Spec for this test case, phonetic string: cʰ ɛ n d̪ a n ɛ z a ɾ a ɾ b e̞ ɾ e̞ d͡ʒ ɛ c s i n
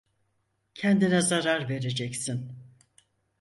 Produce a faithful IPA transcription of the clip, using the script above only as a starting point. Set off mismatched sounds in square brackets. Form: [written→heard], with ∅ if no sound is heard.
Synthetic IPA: cʰ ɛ n d̪ [a→i] n ɛ z a ɾ a ɾ [b→v] e̞ ɾ e̞ d͡ʒ ɛ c s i n